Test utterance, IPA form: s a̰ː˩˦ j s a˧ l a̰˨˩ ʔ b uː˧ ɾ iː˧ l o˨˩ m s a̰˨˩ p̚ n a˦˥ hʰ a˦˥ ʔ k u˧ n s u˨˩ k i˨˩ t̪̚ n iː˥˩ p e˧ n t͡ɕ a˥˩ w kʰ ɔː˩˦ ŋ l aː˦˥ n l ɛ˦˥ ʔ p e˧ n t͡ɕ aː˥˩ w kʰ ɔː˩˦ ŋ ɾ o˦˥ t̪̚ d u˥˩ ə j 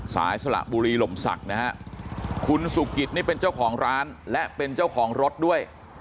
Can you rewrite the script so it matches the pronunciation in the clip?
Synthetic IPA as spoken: s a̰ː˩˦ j s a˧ l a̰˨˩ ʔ b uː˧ ɾ iː˧ l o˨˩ m s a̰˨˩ k̚ n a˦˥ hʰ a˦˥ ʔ kʰ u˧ n s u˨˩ k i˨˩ t̪̚ n iː˥˩ p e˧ n t͡ɕ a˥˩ w kʰ ɔː˩˦ ŋ ɾ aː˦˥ n l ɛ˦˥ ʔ p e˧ n t͡ɕ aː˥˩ w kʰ ɔː˩˦ ŋ ɾ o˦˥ t̪̚ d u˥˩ ə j